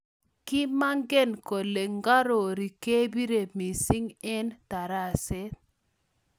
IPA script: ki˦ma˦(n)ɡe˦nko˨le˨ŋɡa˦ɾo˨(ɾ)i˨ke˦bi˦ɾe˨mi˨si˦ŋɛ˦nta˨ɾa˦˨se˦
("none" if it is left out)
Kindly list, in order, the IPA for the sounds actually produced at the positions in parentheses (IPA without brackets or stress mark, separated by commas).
ŋ, ɾ